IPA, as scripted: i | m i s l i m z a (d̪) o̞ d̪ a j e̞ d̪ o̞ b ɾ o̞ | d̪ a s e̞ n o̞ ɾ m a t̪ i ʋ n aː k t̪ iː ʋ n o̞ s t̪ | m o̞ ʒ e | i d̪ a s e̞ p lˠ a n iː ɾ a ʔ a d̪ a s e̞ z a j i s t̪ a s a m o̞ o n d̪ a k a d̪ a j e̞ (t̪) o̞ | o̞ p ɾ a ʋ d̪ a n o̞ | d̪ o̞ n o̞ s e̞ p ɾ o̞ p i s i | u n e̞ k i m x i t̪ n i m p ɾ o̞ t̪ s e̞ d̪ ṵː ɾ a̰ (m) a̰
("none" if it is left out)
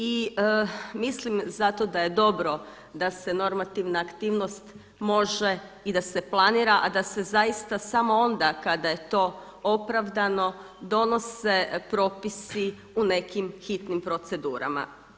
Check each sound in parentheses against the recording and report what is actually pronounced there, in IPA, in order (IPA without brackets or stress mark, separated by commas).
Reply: t̪, t̪, m